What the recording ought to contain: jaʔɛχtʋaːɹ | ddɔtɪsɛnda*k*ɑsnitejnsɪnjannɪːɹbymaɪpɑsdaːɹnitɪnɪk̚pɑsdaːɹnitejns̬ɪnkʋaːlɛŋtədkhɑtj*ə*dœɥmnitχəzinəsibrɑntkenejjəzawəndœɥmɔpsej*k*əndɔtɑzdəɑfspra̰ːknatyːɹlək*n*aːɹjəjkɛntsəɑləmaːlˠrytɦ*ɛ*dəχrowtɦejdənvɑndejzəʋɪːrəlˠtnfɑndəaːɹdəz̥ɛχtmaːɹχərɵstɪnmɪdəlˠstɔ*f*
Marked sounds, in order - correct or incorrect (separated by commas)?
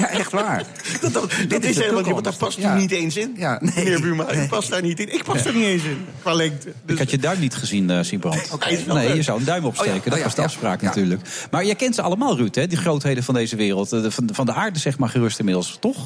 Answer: incorrect, correct, correct, incorrect, correct, incorrect